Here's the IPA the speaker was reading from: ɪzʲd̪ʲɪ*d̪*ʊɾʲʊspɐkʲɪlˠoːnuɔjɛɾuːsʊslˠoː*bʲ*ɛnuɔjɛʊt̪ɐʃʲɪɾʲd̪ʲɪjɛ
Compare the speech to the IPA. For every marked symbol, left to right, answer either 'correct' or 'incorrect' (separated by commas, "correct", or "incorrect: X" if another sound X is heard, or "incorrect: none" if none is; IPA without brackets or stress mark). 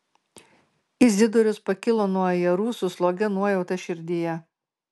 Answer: correct, incorrect: ɡʲ